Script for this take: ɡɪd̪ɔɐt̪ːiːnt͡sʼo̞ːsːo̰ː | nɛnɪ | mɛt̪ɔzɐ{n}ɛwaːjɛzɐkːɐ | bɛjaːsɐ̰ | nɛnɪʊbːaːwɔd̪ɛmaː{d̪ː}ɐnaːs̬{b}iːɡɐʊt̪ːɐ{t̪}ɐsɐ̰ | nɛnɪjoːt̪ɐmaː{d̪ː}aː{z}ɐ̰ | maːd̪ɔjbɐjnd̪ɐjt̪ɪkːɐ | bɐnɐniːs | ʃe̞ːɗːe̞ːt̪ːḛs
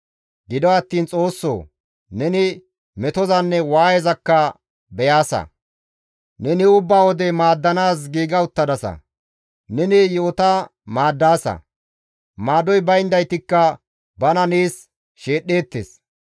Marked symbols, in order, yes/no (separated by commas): no, yes, no, no, yes, no